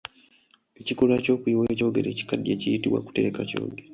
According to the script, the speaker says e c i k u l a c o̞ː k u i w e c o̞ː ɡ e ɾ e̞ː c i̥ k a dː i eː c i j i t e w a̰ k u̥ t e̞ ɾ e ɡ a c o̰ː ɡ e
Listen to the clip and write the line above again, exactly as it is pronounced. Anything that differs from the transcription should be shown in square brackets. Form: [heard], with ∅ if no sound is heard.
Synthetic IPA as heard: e c i k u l a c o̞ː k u i w e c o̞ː ɡ e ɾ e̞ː c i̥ k a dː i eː c i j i t [i] w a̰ k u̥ t e̞ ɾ e [k] a c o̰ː ɡ e